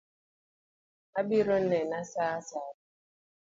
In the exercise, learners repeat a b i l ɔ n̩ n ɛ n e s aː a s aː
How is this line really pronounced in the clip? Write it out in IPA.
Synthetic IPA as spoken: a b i ɾ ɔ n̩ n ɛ n a s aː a s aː